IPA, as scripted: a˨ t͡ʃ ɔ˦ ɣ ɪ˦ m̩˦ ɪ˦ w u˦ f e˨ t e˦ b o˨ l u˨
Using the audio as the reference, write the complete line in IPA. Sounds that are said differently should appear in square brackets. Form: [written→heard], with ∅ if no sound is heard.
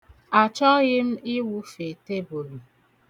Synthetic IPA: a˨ t͡ʃ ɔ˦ ɣ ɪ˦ m̩˦ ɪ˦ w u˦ f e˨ t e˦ b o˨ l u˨